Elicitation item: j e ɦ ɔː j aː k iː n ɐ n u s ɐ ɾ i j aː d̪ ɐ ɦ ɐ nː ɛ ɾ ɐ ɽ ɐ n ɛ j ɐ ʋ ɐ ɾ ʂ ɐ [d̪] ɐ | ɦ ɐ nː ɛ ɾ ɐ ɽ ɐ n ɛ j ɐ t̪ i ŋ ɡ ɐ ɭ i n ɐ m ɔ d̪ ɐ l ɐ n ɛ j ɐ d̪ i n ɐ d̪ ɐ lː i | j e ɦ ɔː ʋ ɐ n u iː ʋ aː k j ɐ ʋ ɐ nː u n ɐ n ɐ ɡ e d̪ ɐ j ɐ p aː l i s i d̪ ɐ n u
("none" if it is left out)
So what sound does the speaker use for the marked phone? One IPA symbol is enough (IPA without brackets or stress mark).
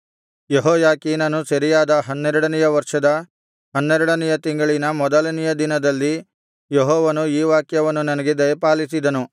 d̪